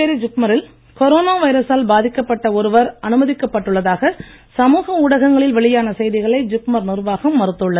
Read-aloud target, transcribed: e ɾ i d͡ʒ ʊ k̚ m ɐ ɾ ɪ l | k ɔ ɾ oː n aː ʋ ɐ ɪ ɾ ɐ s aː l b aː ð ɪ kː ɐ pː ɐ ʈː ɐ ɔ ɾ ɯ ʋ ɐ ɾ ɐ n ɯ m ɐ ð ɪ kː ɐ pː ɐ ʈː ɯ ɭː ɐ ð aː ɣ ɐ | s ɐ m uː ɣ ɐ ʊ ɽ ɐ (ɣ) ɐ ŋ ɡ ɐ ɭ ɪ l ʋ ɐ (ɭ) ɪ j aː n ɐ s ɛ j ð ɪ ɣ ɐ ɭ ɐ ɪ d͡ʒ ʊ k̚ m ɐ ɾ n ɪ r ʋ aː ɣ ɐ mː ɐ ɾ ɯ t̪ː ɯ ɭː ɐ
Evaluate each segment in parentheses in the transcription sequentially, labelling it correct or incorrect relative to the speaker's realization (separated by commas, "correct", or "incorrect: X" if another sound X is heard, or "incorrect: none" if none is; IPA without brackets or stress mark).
correct, correct